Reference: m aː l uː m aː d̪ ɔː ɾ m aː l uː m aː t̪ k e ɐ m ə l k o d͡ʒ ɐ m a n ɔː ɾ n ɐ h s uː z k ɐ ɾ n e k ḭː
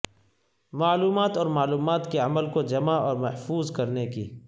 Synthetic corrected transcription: m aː l uː m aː t̪ ɔː ɾ m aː l uː m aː t̪ k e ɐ m ə l k o d͡ʒ ɐ m a ɔː ɾ m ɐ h f uː z k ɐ ɾ n e k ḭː